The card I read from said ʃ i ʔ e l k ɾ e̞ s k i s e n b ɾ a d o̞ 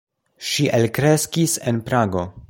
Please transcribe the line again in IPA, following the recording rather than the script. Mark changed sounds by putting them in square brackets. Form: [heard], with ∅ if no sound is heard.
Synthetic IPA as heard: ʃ i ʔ e l k ɾ e̞ s k i s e n [p] ɾ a [ɡ] o̞